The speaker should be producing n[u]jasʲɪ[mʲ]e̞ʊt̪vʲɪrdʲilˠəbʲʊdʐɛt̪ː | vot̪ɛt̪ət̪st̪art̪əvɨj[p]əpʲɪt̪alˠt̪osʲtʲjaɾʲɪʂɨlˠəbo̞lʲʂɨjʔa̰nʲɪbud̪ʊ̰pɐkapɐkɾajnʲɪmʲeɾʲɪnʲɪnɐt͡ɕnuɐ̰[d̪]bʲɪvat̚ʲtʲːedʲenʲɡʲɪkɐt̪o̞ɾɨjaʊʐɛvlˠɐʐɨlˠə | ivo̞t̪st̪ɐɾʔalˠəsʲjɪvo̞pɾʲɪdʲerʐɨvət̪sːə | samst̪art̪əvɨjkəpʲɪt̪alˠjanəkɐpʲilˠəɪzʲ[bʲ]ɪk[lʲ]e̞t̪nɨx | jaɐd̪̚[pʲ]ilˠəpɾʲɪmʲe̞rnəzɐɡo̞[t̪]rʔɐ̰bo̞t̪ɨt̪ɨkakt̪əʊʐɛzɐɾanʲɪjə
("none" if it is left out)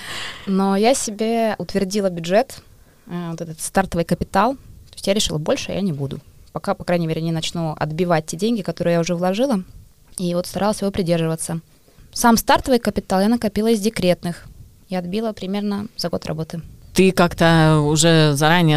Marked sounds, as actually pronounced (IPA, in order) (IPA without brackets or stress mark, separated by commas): o, bʲ, k, d̪, dʲ, ɾʲ, bʲ, t̪